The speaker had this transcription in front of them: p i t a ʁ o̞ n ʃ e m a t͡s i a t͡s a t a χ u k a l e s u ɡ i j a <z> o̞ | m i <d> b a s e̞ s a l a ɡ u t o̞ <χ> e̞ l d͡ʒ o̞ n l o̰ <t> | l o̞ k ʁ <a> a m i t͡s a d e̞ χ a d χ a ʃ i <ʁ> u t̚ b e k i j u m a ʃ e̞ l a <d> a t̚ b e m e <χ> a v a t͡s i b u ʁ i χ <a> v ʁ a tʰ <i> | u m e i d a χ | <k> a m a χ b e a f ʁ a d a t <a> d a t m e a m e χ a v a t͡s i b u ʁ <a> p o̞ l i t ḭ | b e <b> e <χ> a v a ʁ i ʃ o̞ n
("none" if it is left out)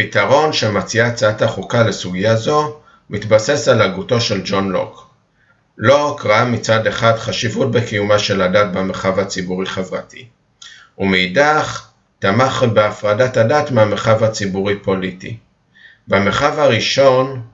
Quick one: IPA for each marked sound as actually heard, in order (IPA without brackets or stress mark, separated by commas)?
z, t, ʃ, k, a, v, d, χ, e, i, t, a, i, m, χ